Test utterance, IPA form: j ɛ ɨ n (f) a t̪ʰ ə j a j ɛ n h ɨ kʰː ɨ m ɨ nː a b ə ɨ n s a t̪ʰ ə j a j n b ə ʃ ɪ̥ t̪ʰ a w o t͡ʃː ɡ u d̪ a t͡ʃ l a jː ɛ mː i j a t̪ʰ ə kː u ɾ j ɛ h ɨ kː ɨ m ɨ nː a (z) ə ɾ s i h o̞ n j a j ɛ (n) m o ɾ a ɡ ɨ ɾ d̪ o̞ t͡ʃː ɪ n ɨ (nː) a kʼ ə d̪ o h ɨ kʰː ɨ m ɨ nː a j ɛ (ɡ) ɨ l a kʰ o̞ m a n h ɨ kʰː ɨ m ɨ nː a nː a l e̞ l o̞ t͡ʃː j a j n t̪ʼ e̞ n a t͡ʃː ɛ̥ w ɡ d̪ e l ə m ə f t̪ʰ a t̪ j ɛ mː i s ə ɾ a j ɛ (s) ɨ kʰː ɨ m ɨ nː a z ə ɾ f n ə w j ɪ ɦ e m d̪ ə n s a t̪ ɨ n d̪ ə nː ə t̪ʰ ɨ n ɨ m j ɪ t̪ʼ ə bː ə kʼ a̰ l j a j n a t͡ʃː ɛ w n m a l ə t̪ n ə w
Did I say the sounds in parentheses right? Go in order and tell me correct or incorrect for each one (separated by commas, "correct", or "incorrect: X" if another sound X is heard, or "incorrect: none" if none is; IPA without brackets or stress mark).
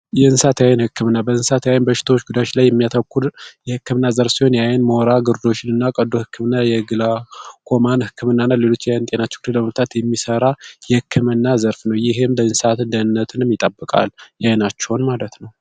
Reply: incorrect: s, correct, correct, correct, correct, incorrect: h